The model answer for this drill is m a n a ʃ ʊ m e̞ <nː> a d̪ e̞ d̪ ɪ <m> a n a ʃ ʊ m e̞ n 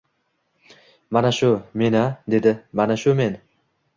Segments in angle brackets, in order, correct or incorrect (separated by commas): incorrect, correct